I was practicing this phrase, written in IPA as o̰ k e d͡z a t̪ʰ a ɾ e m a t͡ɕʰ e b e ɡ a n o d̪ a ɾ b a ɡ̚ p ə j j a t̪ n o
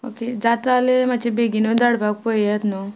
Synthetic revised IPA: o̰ k e d͡z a t̪ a l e m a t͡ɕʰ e b e ɡ i n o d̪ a ɽ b a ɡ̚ p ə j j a t̪ n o